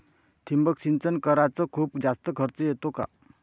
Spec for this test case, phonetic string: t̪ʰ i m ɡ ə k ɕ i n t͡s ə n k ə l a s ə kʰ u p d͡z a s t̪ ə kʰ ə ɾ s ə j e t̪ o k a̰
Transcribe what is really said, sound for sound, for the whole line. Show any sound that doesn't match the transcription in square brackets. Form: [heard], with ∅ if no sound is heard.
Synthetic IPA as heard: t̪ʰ i m [b] ə k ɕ i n t͡s ə n k ə [ɾ] a [t͡s] ə kʰ [uː] p d͡z a s t̪ ə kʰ ə ɾ [t͡s] ə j e t̪ o k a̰

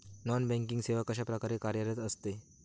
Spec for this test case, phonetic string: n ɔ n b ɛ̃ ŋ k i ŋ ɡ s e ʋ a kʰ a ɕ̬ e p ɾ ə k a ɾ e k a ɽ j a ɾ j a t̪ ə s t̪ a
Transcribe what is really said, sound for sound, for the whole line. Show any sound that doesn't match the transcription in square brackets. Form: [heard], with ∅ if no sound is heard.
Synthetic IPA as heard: n ɔ n b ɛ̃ ŋ k i ŋ ɡ s e ʋ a [k] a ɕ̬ [a] p ɾ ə k a ɾ e k a [ɾ] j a ɾ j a t̪ ə s t̪ [e]

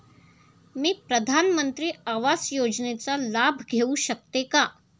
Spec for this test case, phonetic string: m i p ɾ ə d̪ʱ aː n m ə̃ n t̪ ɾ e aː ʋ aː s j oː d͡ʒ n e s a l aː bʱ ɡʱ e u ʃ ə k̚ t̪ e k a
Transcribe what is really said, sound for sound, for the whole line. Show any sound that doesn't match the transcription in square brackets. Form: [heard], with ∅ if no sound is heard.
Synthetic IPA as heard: m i p ɾ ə d̪ʱ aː n m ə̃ n t̪ ɾ [i] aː ʋ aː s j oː d͡ʒ n e [t͡s] a l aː bʱ ɡʱ e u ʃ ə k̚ t̪ e k a

